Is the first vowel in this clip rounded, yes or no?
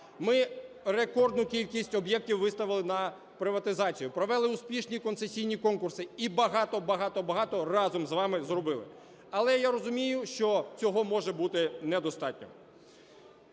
no